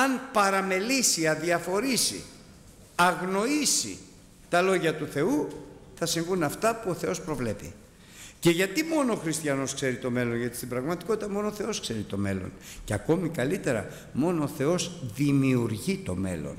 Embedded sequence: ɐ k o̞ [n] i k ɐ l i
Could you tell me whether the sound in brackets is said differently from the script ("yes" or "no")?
yes